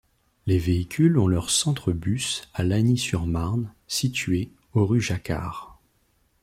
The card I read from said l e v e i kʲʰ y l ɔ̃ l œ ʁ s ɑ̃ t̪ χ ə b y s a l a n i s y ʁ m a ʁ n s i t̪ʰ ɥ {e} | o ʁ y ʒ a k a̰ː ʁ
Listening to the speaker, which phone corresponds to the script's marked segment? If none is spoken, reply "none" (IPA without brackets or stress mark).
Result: e